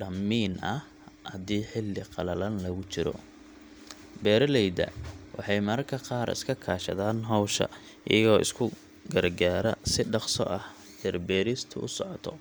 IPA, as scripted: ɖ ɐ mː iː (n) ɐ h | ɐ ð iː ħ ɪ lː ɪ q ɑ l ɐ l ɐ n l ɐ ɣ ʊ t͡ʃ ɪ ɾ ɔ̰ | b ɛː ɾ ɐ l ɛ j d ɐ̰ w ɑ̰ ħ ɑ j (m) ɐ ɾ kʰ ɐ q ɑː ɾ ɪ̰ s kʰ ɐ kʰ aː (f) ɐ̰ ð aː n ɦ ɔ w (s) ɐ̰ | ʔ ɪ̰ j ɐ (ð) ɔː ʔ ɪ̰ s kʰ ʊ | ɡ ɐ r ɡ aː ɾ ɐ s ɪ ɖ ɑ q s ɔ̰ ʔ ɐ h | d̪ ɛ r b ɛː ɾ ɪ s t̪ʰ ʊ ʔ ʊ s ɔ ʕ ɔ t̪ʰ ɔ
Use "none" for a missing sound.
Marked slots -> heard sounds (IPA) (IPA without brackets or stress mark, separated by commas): n, m, ʃ, ʃ, ɣ